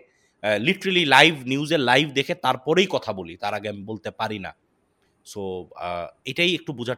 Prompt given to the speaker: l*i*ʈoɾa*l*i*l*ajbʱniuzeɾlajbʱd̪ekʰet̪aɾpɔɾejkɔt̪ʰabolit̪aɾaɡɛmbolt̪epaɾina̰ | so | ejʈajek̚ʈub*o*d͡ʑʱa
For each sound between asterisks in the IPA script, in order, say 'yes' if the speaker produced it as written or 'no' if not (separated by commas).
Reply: yes, yes, yes, no